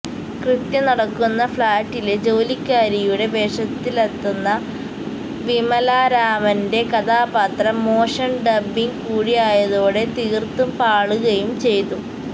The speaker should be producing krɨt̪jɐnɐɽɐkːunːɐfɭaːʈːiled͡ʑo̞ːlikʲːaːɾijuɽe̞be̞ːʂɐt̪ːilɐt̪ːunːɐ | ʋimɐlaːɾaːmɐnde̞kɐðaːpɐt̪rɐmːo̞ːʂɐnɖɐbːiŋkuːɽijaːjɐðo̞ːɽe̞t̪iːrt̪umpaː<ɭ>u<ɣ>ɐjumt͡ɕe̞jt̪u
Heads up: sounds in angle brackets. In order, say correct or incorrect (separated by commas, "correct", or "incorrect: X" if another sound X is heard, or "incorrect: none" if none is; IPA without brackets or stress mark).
correct, correct